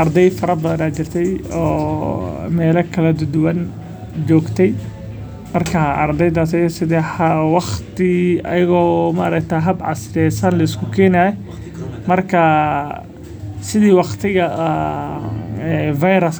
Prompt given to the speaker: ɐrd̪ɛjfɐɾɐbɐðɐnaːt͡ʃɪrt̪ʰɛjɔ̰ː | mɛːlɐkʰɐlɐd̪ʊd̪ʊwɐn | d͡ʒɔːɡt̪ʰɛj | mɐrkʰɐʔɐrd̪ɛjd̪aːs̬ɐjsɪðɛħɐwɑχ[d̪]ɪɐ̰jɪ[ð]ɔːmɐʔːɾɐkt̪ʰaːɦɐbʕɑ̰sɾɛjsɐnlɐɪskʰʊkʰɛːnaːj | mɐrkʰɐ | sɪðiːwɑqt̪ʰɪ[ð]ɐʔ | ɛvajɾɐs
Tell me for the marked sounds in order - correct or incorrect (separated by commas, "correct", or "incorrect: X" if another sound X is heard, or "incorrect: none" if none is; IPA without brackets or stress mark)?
incorrect: t̪, incorrect: ɣ, incorrect: ɣ